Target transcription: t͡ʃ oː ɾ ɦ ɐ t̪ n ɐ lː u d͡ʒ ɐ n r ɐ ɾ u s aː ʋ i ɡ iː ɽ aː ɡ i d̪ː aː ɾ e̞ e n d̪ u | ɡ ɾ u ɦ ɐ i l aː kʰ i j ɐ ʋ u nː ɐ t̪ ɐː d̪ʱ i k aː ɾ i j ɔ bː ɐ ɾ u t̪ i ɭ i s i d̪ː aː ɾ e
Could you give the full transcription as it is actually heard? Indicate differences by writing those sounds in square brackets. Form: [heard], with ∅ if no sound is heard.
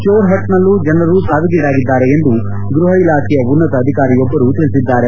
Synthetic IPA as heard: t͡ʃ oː ɾ ɦ ɐ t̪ n ɐ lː u d͡ʒ ɐ n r ɐ ɾ u s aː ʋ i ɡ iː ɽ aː ɡ i d̪ː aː ɾ e̞ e n d̪ u | ɡ ɾ u ɦ ɐ i l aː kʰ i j ɐ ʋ u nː ɐ t̪ ɐː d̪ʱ i k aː ɾ i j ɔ bː ɐ ɾ u t̪ i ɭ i s i d̪ː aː ɾ e